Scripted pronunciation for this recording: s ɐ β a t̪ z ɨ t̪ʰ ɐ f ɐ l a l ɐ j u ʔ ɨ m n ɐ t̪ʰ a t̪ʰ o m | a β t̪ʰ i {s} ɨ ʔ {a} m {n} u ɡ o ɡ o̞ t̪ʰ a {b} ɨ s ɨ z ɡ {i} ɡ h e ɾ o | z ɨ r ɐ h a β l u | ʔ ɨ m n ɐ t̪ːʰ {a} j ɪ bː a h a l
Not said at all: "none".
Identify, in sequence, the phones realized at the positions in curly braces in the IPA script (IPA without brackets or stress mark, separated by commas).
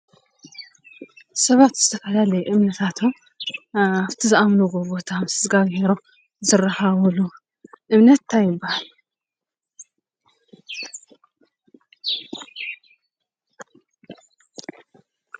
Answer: z, a, n, m, a, a